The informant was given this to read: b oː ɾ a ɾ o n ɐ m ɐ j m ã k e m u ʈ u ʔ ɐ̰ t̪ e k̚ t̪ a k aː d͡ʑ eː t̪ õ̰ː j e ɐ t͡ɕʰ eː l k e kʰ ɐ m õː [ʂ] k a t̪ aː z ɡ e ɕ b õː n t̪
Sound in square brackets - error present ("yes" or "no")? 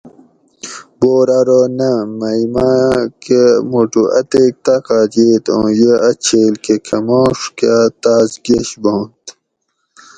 no